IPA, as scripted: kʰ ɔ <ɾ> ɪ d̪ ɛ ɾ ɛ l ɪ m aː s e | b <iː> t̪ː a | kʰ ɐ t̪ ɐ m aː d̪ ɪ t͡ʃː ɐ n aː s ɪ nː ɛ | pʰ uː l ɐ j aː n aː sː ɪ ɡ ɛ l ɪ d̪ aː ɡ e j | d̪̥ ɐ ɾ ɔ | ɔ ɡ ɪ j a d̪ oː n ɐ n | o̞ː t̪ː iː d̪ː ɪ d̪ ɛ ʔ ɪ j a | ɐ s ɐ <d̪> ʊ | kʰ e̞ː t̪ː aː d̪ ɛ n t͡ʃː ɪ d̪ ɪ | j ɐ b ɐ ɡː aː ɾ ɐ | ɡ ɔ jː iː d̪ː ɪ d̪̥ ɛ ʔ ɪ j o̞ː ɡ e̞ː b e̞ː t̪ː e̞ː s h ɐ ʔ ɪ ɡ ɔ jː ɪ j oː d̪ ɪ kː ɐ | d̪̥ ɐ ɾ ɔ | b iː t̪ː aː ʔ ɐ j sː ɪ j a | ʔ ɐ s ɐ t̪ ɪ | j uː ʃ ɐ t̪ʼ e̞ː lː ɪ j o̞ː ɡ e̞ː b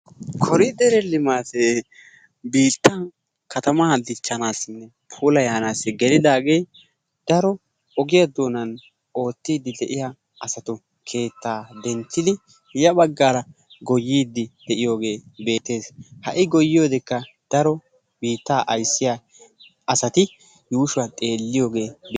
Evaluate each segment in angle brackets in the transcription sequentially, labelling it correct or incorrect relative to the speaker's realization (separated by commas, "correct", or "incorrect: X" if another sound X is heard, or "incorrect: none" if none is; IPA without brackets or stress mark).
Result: correct, correct, incorrect: t̪